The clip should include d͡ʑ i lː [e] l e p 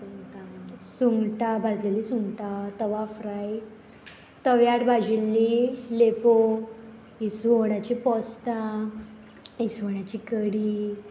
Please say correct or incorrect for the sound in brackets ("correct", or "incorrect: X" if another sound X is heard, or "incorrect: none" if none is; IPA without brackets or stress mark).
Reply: incorrect: i